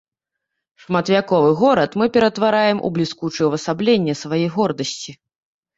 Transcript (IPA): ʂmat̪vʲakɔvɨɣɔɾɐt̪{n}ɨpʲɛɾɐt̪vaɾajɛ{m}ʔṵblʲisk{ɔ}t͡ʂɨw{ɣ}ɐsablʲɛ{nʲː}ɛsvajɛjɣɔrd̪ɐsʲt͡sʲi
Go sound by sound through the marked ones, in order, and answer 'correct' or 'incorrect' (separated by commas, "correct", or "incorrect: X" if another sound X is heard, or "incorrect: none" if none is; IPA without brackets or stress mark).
incorrect: m, correct, incorrect: u, incorrect: v, correct